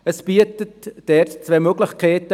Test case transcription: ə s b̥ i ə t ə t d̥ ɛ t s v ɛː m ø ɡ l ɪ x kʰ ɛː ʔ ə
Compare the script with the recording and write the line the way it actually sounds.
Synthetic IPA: ə s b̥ i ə t ə t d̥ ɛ t t͡s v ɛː m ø ɡ l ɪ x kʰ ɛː t ə